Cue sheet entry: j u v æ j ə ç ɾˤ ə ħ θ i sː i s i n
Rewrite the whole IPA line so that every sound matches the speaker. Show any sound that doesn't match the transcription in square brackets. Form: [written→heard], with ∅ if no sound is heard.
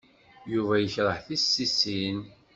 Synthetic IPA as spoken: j u v æ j ə ç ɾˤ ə ħ θ i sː i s i n